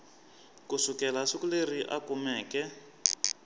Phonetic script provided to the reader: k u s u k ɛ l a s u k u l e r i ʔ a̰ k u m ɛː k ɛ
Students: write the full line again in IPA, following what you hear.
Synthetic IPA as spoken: k u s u k ɛ l a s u k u l e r i ʔ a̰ k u m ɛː k ɛ